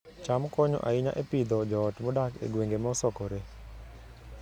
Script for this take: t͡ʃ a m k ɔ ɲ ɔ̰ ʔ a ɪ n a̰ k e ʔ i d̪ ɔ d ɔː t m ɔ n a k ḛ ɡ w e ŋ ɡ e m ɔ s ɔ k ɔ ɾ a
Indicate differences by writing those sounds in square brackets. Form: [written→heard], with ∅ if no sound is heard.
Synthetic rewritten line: t͡ʃ a m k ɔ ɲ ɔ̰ ʔ a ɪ [n→ɲ] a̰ [k→ʔ] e [ʔ→p] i d̪ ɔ [d→d͡ʒ] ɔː t m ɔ [n→d] a k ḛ ɡ w e ŋ ɡ e m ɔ s ɔ k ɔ ɾ [a→e]

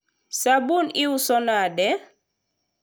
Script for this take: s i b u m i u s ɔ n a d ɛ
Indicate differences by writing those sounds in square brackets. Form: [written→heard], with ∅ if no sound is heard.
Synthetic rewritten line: s [i→a] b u [m→n] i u s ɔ n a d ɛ

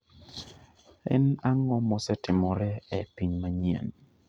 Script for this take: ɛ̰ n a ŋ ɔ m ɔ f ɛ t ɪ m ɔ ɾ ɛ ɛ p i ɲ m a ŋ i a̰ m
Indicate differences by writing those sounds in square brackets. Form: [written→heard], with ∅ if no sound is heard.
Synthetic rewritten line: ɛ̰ n a ŋ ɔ m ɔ [f→s] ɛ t ɪ m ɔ ɾ ɛ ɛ p i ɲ m a [ŋ→ɲ] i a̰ [m→n]

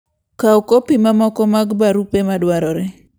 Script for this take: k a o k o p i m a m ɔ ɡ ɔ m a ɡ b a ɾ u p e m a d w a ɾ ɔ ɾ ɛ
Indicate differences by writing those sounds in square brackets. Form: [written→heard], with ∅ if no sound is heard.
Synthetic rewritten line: k a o k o p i m a m ɔ [ɡ→k] ɔ m a ɡ b a ɾ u p e m a d w a ɾ ɔ ɾ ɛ

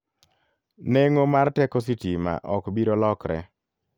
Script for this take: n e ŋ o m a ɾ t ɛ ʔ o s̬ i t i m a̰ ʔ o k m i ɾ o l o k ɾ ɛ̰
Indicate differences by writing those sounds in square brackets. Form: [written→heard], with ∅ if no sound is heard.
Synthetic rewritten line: n e ŋ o m a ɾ t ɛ [ʔ→k] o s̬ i t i m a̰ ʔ [o→ɔ] k [m→b] i ɾ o l [o→ɔ] k ɾ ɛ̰

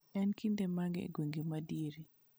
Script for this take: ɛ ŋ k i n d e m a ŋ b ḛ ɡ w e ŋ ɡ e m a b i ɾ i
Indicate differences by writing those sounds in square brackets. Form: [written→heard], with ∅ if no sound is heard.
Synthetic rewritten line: ɛ [ŋ→n] k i n d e m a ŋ [b→ɡ] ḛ ɡ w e ŋ ɡ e m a [b→d] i ɾ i

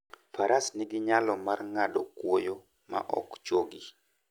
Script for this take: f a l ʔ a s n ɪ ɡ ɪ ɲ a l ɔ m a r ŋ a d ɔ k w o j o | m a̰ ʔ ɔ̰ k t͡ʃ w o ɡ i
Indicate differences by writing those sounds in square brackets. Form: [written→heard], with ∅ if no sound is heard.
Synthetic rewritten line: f a [l→ɾ] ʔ a s n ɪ ɡ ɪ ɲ a l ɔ m a r ŋ a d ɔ k w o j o | m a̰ ʔ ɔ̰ k t͡ʃ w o ɡ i

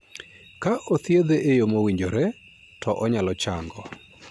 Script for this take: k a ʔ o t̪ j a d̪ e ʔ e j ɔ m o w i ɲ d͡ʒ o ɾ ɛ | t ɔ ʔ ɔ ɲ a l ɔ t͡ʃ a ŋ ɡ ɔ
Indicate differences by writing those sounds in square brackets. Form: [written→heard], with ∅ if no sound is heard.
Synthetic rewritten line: k a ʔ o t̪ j [a→e] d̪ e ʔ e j [ɔ→o] m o w i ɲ d͡ʒ o ɾ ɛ | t ɔ ʔ ɔ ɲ a l ɔ t͡ʃ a ŋ ɡ ɔ

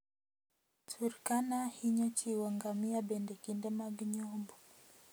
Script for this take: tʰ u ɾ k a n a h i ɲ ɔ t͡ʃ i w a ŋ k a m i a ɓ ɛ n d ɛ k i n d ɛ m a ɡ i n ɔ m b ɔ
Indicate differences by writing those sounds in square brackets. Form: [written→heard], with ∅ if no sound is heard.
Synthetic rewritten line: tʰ u ɾ k a n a h i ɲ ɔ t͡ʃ i w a ŋ [k→ɡ] a m i a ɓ ɛ n d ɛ k i n d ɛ m a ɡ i [n→ɲ] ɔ m b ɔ

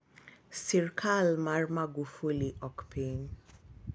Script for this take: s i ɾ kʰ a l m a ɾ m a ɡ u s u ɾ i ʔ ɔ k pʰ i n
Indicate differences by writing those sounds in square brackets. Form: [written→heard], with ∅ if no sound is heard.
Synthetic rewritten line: s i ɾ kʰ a l m a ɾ m a ɡ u [s→f] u [ɾ→l] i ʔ ɔ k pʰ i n

